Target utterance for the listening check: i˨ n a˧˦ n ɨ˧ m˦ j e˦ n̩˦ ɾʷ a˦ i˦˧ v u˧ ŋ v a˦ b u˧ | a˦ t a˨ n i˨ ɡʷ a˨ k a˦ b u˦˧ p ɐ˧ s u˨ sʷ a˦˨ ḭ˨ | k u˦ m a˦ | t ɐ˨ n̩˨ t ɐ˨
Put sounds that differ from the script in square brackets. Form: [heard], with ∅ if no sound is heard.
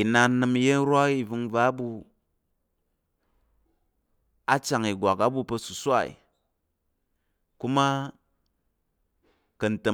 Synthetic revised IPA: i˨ n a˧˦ n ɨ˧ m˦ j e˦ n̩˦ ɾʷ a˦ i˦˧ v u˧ ŋ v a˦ b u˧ | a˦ [t͡ʃ] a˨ [ŋ] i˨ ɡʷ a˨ k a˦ b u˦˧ p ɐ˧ s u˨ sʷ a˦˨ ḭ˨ | k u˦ m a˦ | [k] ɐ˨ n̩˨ t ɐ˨